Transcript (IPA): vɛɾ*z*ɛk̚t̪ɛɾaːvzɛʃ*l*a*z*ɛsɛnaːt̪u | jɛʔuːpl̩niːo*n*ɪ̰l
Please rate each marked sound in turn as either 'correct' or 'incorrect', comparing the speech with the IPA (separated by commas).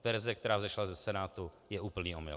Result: correct, correct, correct, incorrect